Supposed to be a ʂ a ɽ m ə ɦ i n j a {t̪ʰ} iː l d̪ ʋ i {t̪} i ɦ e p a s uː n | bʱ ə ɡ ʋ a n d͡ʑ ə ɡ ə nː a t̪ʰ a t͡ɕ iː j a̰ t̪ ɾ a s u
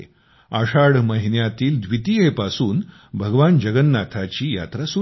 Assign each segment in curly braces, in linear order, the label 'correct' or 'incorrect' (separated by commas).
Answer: incorrect, correct